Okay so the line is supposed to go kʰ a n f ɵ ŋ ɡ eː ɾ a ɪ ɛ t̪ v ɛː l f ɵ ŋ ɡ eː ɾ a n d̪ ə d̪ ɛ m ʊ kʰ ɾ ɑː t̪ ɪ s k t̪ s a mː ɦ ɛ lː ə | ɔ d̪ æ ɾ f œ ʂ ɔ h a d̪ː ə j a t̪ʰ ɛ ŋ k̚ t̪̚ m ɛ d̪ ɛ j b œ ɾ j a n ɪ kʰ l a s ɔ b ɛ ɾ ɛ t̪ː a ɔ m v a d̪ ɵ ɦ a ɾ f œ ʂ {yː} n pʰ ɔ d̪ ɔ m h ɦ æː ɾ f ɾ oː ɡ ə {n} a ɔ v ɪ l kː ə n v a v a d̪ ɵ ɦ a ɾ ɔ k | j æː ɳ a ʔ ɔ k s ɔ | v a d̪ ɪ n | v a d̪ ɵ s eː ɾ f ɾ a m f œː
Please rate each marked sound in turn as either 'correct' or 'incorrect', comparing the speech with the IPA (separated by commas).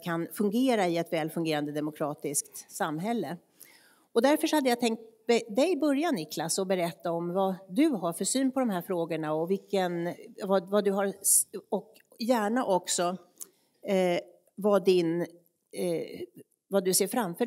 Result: correct, incorrect